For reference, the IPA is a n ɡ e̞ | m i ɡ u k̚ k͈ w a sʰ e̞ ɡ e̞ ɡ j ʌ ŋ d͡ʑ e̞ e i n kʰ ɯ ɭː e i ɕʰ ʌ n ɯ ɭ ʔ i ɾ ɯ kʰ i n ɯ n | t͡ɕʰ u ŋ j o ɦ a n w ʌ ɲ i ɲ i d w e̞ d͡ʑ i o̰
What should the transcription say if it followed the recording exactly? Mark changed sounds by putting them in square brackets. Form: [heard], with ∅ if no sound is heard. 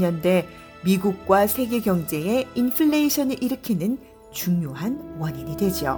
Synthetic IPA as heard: [ʌ] n [d] e̞ | m i ɡ u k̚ k͈ w a sʰ e̞ ɡ e̞ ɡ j ʌ ŋ d͡ʑ e̞ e i n [pʰ] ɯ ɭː e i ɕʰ ʌ n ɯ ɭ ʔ i ɾ ɯ kʰ i n ɯ n | [t͡ɕ] u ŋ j o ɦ a n w ʌ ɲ i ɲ i d w e̞ d͡ʑ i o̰